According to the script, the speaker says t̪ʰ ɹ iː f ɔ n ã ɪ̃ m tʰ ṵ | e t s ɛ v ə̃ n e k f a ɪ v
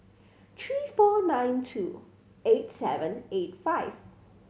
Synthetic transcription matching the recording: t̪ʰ ɹ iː f ɔ n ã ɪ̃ n tʰ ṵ | e t s ɛ v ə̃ n e t f a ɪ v